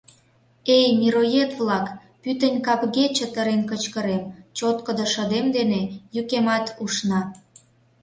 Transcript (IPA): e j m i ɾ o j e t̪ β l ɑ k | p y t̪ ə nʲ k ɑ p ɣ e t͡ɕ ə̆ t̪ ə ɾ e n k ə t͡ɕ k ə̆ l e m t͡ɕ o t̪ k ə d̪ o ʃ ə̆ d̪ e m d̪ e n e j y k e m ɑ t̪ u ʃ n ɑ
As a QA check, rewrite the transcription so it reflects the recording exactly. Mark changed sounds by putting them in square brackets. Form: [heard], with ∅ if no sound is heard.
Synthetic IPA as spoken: e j m i ɾ o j e t̪ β l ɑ k | p y t̪ ə nʲ k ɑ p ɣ e t͡ɕ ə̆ t̪ ə ɾ e n k ə t͡ɕ k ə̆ [ɾ] e m t͡ɕ o t̪ k ə d̪ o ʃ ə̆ d̪ e m d̪ e n e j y k e m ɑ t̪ u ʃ n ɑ